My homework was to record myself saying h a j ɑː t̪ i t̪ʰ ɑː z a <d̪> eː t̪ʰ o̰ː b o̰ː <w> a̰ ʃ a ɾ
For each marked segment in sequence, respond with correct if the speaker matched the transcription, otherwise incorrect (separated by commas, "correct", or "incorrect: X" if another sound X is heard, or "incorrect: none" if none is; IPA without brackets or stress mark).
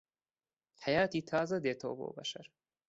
correct, incorrect: b